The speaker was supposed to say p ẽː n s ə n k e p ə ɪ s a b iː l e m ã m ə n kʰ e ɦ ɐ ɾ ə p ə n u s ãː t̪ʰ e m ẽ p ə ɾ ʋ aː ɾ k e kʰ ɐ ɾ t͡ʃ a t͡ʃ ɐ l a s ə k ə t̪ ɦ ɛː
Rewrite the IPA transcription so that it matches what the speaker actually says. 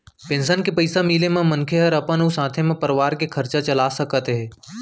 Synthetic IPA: p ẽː n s ə n k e p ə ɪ s a m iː l e m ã m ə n kʰ e ɦ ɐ ɾ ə p ə n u s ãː t̪ʰ e m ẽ p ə ɾ ʋ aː ɾ k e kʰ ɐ ɾ t͡ʃ a t͡ʃ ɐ l a s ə k ə t̪ ɦ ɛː